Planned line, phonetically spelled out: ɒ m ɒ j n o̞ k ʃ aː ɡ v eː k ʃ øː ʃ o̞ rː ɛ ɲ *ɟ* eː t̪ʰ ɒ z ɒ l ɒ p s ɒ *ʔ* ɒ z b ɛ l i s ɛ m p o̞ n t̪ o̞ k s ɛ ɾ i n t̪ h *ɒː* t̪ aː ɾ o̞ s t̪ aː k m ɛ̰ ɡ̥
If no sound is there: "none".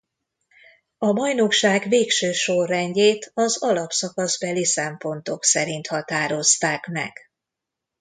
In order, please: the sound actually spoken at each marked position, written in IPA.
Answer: ɟ, k, ɒ

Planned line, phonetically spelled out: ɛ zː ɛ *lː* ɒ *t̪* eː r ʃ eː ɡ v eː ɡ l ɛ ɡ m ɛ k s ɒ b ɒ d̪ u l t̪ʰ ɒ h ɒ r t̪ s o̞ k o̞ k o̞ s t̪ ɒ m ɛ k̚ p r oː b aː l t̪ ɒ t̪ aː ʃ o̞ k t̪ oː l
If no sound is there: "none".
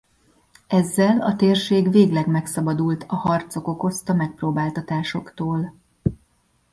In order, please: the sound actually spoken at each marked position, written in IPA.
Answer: l, t̪

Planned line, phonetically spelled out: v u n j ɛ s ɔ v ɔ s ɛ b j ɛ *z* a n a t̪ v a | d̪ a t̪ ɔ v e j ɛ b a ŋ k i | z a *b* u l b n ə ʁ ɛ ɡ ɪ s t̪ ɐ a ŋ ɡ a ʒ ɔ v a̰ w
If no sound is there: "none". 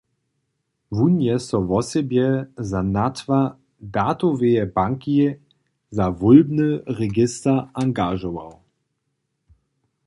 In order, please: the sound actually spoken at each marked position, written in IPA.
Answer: z, v

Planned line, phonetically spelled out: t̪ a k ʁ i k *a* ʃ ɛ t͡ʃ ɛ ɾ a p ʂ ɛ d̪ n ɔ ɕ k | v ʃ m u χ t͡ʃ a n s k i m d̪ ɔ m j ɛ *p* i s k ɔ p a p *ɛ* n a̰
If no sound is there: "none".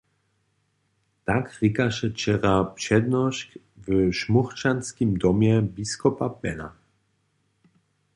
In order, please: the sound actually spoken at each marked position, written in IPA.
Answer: a, b, ɛ

